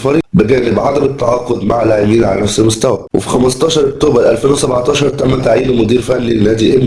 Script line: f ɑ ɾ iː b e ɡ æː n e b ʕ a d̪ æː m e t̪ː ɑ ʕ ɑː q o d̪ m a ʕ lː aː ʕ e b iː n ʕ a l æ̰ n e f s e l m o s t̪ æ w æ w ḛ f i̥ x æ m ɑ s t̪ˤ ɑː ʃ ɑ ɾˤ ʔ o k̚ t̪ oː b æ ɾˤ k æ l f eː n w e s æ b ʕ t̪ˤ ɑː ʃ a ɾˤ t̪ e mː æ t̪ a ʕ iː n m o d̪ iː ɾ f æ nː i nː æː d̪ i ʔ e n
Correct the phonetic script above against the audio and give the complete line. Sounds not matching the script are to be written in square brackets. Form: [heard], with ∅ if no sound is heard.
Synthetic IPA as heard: f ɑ ɾ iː b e ɡ æː n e b ʕ a d̪ [æ] m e t̪ː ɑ ʕ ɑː q o d̪ m a ʕ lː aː ʕ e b iː n ʕ a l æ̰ n [æ] f s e l m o s t̪ æ w æ w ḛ f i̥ x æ m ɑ s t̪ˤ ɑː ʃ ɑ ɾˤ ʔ o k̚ t̪ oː b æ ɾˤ [ʔ] æ l f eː n w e s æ b ʕ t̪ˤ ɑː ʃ [ɑ] ɾˤ t̪ [æ] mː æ t̪ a ʕ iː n m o d̪ iː ɾ f æ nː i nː æː d̪ i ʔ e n